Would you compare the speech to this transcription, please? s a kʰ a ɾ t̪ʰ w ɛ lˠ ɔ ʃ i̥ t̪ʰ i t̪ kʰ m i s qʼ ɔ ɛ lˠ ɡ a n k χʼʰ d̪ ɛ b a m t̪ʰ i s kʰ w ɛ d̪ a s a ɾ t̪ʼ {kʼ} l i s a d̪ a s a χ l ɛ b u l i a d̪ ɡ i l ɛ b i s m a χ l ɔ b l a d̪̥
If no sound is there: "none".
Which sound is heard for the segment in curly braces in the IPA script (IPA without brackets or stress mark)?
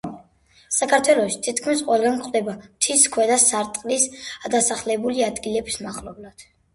qʼ